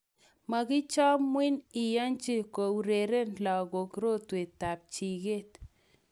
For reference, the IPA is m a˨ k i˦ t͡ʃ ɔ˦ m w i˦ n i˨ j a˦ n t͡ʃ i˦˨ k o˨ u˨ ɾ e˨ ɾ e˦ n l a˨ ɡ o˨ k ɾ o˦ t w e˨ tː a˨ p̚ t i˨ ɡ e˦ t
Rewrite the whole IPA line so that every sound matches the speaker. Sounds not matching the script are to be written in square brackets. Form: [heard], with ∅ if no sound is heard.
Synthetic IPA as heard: m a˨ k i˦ t͡ʃ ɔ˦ m w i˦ n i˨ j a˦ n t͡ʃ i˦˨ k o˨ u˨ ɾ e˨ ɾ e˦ n l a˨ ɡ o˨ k ɾ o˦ t w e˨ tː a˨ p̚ [t͡ʃ] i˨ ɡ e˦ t